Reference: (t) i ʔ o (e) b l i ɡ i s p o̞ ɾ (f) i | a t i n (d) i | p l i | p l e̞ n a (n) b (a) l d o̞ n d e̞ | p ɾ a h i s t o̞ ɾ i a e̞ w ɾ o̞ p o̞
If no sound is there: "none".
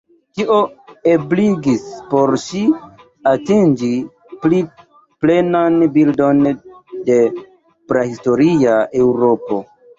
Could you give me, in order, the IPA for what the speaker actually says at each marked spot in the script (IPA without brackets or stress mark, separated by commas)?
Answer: t, e, ʃ, d͡ʒ, n, i